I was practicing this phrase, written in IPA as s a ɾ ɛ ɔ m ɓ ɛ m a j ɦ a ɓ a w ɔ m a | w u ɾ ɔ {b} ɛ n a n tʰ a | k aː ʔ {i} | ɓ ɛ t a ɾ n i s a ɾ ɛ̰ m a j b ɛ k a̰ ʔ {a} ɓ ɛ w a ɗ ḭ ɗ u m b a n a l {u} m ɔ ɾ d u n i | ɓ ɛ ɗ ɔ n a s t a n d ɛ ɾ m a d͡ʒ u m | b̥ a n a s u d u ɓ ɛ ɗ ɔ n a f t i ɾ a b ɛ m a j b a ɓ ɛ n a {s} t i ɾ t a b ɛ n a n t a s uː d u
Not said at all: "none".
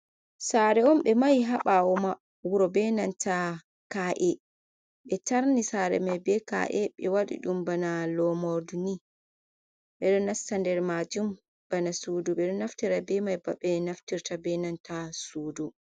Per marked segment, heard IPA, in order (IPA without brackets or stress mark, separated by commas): b, ɛ, ɛ, ɔ, f